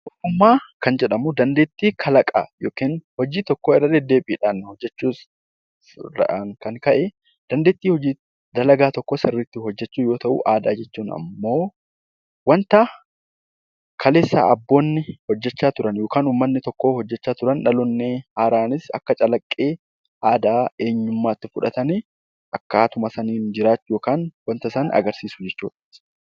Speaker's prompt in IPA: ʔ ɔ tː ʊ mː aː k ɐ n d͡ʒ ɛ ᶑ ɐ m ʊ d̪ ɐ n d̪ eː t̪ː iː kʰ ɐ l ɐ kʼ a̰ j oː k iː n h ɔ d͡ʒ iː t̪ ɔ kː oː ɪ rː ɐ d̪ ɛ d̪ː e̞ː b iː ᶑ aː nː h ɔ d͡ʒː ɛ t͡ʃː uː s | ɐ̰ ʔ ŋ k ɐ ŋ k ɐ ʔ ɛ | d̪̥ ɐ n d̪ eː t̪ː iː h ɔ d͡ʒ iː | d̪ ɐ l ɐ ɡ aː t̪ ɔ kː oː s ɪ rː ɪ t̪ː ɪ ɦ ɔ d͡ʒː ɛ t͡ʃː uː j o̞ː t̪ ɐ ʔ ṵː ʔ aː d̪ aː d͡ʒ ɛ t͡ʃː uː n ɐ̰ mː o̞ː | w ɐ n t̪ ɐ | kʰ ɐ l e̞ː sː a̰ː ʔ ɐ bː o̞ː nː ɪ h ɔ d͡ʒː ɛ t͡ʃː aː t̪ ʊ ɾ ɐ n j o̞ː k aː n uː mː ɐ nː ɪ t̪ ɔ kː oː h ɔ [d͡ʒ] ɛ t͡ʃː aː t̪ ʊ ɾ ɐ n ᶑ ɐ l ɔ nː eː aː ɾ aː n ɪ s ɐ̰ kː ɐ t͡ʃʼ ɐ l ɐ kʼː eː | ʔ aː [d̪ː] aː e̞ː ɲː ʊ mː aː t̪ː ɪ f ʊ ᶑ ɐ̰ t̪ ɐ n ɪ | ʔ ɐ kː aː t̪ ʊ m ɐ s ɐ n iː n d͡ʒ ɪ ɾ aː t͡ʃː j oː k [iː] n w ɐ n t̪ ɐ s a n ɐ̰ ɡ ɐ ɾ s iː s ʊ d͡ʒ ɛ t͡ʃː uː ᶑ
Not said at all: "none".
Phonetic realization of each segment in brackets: d͡ʒː, d̪, aː

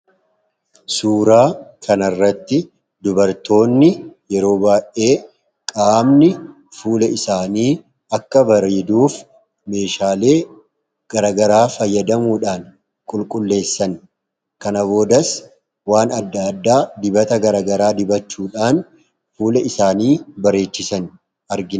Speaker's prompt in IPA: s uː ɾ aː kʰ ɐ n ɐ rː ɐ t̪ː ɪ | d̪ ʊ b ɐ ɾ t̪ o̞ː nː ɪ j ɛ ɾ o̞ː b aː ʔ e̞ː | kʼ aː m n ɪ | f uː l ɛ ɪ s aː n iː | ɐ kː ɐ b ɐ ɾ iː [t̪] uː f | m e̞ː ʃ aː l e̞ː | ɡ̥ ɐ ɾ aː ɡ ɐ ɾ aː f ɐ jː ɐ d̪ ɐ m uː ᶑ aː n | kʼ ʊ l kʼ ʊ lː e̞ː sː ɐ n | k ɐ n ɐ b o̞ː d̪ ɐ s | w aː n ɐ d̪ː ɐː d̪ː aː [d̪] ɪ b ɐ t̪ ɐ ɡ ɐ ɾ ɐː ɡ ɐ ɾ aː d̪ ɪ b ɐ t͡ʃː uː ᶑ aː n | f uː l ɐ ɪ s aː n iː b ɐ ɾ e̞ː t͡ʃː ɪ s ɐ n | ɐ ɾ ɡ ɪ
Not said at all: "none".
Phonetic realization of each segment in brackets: d̪, d̪

